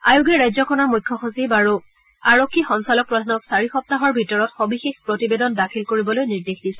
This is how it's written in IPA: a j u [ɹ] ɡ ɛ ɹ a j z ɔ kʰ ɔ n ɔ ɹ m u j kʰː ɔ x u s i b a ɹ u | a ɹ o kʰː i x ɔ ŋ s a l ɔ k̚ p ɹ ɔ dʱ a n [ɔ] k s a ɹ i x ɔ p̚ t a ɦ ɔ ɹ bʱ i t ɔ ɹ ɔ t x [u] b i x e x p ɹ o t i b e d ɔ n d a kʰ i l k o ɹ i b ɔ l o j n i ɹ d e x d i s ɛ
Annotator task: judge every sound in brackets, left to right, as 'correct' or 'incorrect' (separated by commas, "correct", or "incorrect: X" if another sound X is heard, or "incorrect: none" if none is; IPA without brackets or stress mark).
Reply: incorrect: none, correct, incorrect: o